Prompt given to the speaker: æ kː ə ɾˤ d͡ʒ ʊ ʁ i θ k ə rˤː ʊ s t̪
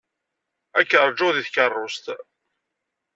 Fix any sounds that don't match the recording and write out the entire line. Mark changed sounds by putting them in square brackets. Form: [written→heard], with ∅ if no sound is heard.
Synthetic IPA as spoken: æ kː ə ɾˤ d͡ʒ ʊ [ʁ→ð] i θ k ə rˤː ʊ s t̪